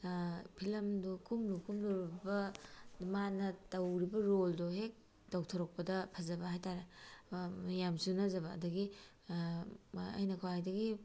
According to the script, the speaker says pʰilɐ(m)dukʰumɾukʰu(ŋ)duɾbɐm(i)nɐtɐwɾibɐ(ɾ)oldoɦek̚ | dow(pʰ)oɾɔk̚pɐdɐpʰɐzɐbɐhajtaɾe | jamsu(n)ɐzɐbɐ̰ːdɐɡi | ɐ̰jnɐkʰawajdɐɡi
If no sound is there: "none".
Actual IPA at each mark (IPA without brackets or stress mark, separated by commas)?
m, m, a, ɾ, tʰ, n